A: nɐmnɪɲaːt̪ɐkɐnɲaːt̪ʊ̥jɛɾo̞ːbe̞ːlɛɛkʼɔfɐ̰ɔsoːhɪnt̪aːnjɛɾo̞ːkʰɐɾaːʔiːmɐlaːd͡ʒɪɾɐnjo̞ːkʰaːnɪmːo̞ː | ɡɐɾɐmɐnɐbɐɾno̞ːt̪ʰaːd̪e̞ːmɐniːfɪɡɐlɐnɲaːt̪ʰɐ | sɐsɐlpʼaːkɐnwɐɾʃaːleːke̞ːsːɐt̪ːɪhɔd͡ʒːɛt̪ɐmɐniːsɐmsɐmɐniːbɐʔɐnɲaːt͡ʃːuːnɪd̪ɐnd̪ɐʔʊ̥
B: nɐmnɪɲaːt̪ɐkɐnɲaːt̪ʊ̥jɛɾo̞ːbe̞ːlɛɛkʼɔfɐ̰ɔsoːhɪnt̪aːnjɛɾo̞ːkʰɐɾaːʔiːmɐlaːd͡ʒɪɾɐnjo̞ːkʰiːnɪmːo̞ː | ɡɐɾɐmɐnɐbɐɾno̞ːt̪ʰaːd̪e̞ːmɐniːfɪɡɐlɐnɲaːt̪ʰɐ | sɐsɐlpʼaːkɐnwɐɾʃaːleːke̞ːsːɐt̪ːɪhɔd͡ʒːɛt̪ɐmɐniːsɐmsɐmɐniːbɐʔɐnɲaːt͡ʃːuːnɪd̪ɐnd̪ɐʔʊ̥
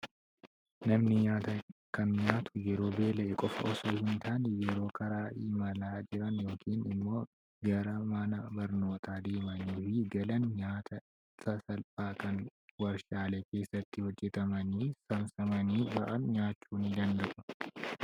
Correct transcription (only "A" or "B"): B